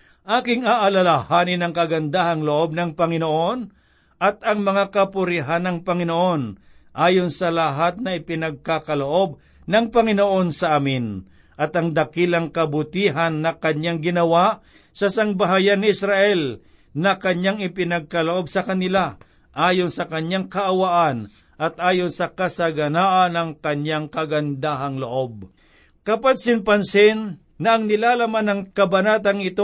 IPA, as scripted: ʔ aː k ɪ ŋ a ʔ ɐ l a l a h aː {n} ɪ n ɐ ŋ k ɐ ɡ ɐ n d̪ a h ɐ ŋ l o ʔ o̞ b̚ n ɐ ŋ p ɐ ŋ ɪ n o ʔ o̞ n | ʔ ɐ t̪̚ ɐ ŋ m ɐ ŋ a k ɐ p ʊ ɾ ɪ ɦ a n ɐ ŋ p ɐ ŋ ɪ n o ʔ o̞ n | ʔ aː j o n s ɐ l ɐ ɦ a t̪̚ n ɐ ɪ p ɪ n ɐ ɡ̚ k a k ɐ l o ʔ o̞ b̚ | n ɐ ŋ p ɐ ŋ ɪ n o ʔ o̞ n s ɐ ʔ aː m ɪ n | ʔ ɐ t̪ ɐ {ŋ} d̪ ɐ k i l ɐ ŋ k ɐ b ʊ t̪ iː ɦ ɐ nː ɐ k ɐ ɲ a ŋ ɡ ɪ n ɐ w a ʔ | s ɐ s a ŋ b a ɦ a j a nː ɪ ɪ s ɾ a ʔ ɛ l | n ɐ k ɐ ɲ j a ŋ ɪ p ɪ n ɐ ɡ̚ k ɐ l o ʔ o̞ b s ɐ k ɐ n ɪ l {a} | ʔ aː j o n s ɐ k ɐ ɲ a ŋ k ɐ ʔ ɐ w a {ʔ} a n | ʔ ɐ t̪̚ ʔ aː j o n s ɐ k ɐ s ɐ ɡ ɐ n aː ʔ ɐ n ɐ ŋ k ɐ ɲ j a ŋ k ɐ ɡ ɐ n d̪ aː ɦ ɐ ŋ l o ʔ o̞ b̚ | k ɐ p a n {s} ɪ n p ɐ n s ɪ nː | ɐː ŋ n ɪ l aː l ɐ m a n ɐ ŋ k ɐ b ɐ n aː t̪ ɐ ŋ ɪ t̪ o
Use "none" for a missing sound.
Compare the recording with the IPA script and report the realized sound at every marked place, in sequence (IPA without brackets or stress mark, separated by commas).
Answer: n, ŋ, a, ʔ, s